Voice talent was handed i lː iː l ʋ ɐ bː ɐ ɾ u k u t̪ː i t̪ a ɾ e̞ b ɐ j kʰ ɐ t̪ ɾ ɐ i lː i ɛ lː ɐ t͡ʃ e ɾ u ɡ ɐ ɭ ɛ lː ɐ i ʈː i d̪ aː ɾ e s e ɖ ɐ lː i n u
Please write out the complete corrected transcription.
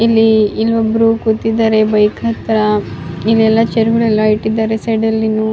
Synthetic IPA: i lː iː l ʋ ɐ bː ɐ ɾ u k u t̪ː i d̪ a ɾ e̞ b ɐ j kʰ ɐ t̪ ɾ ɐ i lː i ɛ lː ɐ t͡ʃ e ɾ u ɡ ɐ ɭ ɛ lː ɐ i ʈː i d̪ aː ɾ e s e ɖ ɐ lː i n u

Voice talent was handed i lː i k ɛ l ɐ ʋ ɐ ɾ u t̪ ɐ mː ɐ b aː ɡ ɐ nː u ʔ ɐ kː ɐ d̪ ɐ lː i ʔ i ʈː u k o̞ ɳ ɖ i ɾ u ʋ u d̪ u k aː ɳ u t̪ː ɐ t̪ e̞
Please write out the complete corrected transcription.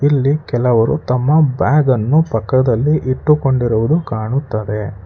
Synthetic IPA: i lː i k ɛ l ɐ ʋ ɐ ɾ u t̪ ɐ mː ɐ b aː ɡ ɐ nː u p ɐ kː ɐ d̪ ɐ lː i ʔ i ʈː u k o̞ ɳ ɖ i ɾ u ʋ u d̪ u k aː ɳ u t̪ː ɐ d̪ e̞

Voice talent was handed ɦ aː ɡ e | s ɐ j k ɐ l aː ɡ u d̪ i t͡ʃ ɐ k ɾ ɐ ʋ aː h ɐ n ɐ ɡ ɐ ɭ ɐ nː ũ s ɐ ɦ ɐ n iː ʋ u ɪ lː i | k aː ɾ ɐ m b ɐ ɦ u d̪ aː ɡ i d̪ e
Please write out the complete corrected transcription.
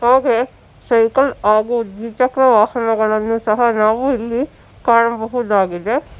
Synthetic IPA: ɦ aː ɡ e | s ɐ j k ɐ l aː ɡ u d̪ i t͡ʃ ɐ k ɾ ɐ ʋ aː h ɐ n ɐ ɡ ɐ ɭ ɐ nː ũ s ɐ ɦ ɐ n aː ʋ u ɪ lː i | k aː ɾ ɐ m b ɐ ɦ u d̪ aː ɡ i d̪ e

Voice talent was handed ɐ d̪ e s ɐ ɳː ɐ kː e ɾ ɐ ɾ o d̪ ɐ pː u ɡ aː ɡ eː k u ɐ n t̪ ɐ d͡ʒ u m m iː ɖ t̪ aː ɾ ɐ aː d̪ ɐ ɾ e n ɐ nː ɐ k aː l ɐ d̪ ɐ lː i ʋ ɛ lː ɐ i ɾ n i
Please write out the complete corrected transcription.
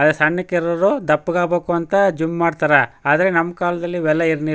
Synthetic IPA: ɐ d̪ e s ɐ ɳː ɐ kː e ɾ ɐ ɾ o d̪ ɐ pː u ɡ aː b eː k u ɐ n t̪ ɐ d͡ʒ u m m aː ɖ t̪ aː ɾ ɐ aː d̪ ɐ ɾ e n ɐ mː ɐ k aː l ɐ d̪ ɐ lː i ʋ ɛ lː ɐ i ɾ n i

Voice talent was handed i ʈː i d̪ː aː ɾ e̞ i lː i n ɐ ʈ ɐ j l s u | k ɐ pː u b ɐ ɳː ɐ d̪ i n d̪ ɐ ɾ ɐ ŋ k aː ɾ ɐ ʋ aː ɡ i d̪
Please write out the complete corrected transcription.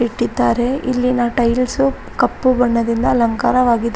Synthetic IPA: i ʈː i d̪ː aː ɾ e̞ i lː i n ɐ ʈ ɐ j l s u | k ɐ pː u b ɐ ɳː ɐ d̪ i n d̪ ɐ l ɐ ŋ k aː ɾ ɐ ʋ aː ɡ i d̪

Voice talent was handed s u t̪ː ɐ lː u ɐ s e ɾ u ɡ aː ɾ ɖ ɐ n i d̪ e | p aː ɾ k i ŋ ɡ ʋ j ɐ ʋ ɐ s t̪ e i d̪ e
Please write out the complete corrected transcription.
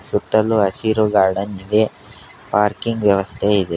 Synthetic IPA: s u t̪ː ɐ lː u ɐ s i ɾ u ɡ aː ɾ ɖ ɐ n i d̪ e | p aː ɾ k i ŋ ɡ ʋ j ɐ ʋ ɐ s t̪ʰ e i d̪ e

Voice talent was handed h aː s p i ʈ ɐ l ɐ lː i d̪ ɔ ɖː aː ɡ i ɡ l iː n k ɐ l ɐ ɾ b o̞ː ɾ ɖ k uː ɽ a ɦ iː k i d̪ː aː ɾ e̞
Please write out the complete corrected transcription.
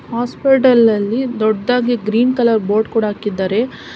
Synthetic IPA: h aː s p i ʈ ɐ l ɐ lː i d̪ ɔ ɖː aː ɡ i ɡ ɾ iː n k ɐ l ɐ ɾ b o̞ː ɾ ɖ k uː ɽ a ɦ aː k i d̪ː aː ɾ e̞

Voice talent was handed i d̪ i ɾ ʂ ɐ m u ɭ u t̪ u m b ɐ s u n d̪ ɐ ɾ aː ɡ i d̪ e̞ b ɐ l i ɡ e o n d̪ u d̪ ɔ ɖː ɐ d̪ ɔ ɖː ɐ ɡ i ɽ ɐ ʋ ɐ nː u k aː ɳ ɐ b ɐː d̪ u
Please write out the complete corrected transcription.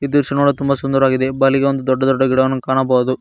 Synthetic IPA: i d̪ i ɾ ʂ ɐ n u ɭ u t̪ u m b ɐ s u n d̪ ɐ ɾ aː ɡ i d̪ e̞ b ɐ l i ɡ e o n d̪ u d̪ ɔ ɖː ɐ d̪ ɔ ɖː ɐ ɡ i ɽ ɐ ʋ ɐ nː u k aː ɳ ɐ b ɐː d̪ u

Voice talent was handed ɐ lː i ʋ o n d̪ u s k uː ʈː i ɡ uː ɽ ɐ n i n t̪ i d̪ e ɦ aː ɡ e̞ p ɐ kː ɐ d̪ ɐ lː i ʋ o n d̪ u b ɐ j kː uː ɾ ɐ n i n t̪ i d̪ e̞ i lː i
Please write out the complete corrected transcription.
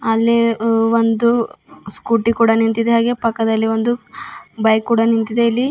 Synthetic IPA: ɐ lː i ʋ o n d̪ u s k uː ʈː i k uː ɽ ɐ n i n t̪ i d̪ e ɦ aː ɡ e̞ p ɐ kː ɐ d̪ ɐ lː i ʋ o n d̪ u b ɐ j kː uː ɽ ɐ n i n t̪ i d̪ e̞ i lː i

